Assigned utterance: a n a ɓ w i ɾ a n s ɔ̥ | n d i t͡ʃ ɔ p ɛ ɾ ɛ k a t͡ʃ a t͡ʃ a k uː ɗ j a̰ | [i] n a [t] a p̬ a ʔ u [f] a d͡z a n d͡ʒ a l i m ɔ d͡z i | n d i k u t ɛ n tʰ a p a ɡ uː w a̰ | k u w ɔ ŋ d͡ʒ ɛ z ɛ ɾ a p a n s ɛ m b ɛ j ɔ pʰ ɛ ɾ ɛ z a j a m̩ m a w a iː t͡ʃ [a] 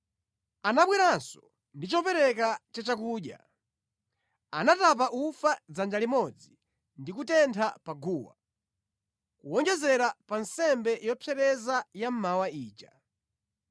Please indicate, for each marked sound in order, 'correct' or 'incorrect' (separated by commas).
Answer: incorrect, correct, correct, correct